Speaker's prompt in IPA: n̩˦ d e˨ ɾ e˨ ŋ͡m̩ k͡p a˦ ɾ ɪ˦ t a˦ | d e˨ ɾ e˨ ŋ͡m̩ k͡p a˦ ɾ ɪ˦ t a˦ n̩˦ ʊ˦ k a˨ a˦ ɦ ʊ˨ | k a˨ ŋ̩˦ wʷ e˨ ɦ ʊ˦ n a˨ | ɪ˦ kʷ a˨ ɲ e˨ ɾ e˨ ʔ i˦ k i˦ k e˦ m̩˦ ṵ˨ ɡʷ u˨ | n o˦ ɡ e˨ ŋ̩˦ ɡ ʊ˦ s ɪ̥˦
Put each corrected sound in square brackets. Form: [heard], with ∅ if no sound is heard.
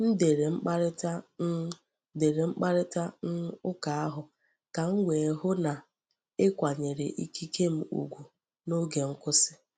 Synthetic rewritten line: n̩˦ d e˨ ɾ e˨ ŋ͡m̩ k͡p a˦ ɾ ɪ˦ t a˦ | d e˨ ɾ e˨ ŋ͡m̩ k͡p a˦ ɾ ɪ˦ t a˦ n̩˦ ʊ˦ k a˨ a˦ ɦ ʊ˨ | k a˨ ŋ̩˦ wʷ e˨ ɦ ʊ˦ n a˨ | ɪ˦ kʷ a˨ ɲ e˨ ɾ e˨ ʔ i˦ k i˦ k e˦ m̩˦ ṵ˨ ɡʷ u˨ | n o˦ ɡ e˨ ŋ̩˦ [k] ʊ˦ s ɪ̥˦